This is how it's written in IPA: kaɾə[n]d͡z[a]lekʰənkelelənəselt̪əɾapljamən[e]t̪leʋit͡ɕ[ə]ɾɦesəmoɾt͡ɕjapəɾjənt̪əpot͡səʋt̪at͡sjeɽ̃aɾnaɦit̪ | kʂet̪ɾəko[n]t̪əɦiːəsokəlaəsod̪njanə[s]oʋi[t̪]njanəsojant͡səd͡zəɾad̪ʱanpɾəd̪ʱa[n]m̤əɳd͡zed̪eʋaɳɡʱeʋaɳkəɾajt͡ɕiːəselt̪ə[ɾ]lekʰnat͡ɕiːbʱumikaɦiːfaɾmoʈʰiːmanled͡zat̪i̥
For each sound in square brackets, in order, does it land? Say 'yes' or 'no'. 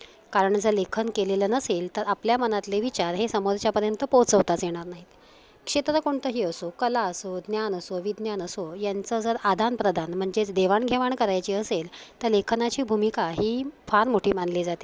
no, no, no, no, no, yes, no, yes, yes

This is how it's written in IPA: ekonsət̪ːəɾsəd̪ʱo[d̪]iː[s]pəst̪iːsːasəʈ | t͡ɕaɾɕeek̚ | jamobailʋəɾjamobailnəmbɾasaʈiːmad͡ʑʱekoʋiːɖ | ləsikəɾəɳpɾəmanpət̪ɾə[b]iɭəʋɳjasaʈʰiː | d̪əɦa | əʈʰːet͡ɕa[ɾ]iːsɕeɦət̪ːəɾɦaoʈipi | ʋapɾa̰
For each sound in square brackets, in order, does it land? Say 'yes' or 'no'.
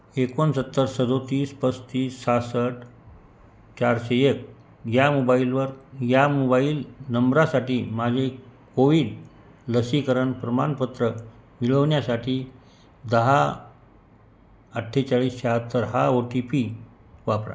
no, yes, no, no

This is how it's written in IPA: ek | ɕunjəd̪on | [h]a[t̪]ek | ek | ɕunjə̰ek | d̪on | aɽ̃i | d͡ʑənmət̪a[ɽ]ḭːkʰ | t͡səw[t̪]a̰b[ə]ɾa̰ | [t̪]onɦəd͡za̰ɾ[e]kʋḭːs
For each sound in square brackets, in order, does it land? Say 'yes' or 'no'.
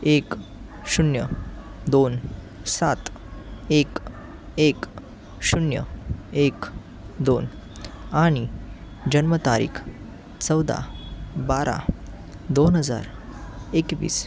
no, yes, no, no, no, no, yes

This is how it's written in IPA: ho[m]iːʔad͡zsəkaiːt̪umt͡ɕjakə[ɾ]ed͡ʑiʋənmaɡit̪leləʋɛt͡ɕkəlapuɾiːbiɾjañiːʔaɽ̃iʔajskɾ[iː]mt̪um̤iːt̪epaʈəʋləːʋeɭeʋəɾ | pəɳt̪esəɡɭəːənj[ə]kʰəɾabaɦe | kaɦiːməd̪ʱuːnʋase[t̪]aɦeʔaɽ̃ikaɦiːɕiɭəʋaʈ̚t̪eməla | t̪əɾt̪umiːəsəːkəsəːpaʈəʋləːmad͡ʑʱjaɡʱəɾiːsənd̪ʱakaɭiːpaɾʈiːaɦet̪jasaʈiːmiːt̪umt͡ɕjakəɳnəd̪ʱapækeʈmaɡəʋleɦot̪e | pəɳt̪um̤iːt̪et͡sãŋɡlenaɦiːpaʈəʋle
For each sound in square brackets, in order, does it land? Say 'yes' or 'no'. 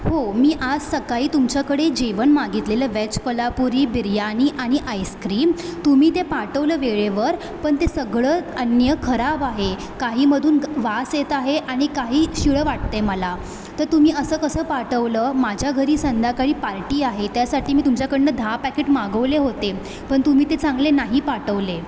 yes, no, yes, yes, yes

